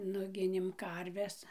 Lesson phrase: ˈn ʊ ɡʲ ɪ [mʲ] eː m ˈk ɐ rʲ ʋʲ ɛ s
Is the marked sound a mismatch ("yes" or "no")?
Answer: yes